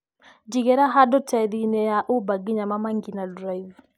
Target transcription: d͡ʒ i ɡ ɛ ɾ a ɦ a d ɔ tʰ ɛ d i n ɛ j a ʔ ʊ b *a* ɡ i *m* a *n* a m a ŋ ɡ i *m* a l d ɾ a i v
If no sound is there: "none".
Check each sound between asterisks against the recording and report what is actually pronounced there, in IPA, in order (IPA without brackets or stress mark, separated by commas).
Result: a, ɲ, m, n